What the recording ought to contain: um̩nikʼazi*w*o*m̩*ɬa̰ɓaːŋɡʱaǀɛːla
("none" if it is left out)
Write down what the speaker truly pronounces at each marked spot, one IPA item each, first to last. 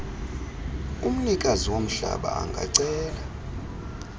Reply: w, m̩

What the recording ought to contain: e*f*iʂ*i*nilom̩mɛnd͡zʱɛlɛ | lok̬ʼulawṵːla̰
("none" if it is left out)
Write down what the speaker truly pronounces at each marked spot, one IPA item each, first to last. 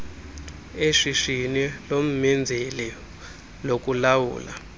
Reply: ʂ, i

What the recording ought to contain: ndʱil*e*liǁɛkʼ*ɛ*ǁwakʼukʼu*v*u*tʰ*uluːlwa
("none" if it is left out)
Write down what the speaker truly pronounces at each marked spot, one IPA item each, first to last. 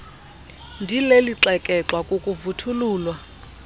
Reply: e, ɛ, v, tʰ

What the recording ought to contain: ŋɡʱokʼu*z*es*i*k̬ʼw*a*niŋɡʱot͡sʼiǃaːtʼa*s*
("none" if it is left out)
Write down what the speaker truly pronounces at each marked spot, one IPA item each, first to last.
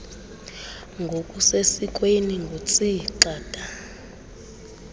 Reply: s, i, e, none

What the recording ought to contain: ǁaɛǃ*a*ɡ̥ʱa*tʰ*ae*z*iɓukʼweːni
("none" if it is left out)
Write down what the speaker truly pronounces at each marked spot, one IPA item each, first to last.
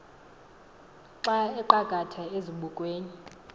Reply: a, tʰ, z

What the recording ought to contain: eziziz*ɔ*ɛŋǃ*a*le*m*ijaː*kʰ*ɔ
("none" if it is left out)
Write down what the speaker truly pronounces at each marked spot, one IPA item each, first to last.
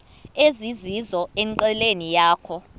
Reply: ɔ, ɛ, n, kʰ

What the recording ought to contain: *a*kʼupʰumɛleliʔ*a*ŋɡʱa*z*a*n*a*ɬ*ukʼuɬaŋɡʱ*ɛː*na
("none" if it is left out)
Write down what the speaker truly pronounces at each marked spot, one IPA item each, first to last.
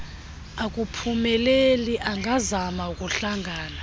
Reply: a, a, z, m, none, aː

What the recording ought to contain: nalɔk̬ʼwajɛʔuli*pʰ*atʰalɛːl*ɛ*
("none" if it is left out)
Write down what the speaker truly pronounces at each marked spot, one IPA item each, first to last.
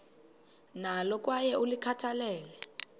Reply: kʰ, ɛ

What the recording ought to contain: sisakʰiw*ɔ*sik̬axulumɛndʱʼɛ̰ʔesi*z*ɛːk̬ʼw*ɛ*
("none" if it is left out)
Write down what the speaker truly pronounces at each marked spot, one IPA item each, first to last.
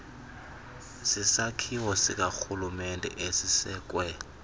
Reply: ɔ, s, ɛ

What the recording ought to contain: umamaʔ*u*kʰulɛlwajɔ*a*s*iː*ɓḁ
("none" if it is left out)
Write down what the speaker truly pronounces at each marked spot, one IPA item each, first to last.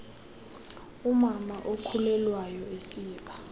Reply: o, e, iː

